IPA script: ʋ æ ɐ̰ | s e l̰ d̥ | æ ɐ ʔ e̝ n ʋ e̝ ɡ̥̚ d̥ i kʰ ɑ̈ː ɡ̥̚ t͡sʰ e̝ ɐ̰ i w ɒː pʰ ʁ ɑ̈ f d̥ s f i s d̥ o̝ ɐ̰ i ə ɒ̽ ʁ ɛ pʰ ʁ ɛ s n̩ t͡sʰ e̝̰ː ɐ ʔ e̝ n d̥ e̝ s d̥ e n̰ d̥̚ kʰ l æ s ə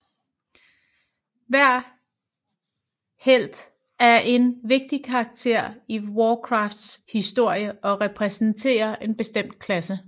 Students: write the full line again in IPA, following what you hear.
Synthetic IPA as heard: ʋ æ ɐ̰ | h e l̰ d̥ | æ ɐ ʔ e̝ n ʋ e̝ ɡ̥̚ d̥ i kʰ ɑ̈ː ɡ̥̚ t͡sʰ e̝ ɐ̰ i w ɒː kʰ ʁ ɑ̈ f d̥ s h i s d̥ o̝ ɐ̰ j ə ɒ̽ ʁ ɛ pʰ ʁ ɛ s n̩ t͡sʰ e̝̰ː ɐ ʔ e̝ n b̥ e̝ s d̥ e m̰ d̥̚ kʰ l æ s ə